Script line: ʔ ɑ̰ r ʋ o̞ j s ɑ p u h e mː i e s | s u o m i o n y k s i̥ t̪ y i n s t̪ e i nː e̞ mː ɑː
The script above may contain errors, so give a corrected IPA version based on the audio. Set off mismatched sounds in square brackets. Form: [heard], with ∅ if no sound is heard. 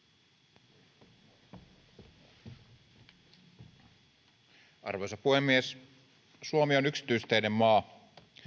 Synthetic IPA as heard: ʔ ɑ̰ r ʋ o̞ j s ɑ p u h e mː i e s | s u o m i o n y k s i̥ t̪ y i [∅] s t̪ e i [n] e̞ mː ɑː

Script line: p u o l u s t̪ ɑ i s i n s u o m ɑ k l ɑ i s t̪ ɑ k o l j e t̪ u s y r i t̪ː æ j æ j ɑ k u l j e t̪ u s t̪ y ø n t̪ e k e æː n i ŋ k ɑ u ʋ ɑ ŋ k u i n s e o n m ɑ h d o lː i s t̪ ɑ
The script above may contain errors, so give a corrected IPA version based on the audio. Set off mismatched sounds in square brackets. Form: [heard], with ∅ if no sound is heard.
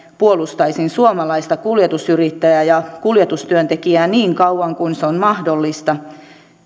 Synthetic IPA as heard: p u o l u s t̪ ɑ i s i n s u o m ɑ [∅] l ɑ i s t̪ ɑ k [u] l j e t̪ u s y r i t̪ː æ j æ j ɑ k u l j e t̪ u s t̪ y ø n t̪ e k [i] æː n [iː] ŋ k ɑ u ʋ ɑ ŋ k u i n s e o n m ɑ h d o lː i s t̪ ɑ

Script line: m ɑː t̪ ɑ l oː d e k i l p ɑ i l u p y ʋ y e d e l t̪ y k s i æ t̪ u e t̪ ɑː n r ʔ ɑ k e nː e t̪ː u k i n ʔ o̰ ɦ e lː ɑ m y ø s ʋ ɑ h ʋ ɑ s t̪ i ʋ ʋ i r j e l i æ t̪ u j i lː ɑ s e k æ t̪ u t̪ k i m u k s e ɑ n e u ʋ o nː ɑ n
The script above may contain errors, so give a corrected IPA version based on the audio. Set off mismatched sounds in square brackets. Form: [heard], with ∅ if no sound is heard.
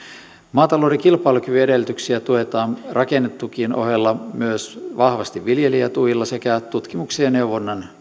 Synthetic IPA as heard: m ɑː t̪ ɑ l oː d e k i l p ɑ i l u [k] y ʋ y e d e l t̪ y k s i æ t̪ u e t̪ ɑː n r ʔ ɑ k e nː e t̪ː u k i n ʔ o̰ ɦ e lː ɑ m y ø s ʋ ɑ h ʋ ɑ s t̪ i ʋ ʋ i [l] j e l i æ t̪ u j i lː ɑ s e k æ t̪ u t̪ k i m u k s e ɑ n e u ʋ o nː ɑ n

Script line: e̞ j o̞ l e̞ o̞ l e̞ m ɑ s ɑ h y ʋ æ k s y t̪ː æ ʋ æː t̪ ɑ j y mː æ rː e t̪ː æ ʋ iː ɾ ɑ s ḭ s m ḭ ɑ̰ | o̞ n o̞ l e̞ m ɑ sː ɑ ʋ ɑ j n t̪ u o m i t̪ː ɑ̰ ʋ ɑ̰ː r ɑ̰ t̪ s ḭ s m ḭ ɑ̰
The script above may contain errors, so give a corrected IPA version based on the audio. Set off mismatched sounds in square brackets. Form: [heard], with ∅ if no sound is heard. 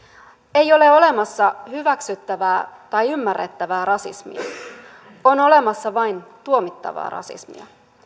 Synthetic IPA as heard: e̞ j o̞ l e̞ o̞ l e̞ m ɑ [sː] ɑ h y ʋ æ k s y t̪ː æ ʋ æː t̪ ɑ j y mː æ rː e t̪ː æ ʋ [æː] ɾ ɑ s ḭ s m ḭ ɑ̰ | o̞ n o̞ l e̞ m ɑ sː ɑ ʋ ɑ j n t̪ u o m i t̪ː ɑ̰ ʋ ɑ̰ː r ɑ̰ [∅] s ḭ s m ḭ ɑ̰

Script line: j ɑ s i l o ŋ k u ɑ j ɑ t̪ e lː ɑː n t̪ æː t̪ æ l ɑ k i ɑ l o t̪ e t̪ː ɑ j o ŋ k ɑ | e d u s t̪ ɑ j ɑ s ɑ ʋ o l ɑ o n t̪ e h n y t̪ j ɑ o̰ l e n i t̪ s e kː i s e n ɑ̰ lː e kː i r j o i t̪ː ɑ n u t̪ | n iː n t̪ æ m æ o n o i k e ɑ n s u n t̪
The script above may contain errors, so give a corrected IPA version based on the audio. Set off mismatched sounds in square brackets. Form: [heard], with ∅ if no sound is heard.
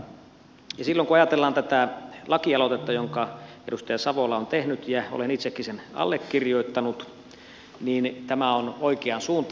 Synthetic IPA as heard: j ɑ s i [lː] o ŋ k u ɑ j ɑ t̪ e lː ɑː n t̪ [æ] t̪ æ l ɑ k i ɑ l o t̪ e t̪ː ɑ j o ŋ k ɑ | e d u s t̪ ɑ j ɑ s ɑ ʋ o l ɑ o n t̪ e h n y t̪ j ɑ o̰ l e n i t̪ s e kː i s e n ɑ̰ lː e kː i r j o i t̪ː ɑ n u t̪ | n iː n t̪ æ m æ o n o i k e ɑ n s [uː] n t̪

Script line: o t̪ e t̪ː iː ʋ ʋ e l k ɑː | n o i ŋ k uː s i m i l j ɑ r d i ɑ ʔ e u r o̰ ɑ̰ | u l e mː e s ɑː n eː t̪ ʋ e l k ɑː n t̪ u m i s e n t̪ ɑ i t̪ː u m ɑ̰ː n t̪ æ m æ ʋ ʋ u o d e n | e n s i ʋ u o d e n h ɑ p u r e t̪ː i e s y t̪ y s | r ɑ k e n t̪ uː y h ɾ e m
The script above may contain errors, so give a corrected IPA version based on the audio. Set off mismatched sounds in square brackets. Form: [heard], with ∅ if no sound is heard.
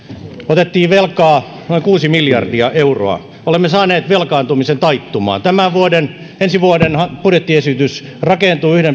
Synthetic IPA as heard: o t̪ e t̪ː iː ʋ ʋ e l k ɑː | n o i ŋ k uː s i m i l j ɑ r d i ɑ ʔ e u r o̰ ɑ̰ | [o] l e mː e s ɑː n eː t̪ ʋ e l k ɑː n t̪ u m i s e n t̪ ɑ i t̪ː u m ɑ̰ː n t̪ æ m æ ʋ ʋ u o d e n | e n s i ʋ u o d e n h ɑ p u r e t̪ː i e s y t̪ y s | r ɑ k e n t̪ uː y h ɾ e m

